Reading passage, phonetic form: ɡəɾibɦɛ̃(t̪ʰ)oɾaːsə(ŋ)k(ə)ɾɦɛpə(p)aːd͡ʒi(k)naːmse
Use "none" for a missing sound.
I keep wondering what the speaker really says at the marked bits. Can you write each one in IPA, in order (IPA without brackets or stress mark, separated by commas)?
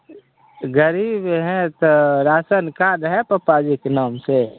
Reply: t̪, n, a, p, k